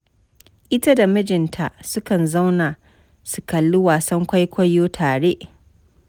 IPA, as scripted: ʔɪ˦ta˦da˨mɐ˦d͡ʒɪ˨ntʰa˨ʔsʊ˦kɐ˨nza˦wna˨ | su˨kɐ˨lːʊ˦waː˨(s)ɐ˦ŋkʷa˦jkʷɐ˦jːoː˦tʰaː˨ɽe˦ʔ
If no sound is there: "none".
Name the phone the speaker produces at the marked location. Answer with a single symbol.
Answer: s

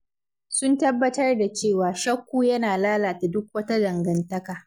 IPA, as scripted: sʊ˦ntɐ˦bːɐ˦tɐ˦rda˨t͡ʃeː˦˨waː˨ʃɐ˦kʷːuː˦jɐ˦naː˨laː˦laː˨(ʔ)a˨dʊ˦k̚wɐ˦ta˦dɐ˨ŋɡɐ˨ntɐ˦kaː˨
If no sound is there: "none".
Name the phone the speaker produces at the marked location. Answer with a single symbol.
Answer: t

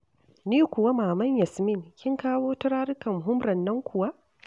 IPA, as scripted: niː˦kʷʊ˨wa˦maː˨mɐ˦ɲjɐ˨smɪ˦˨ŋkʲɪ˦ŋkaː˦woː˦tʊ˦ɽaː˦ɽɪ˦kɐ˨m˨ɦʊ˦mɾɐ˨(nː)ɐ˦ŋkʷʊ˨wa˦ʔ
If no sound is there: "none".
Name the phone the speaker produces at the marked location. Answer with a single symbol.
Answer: nː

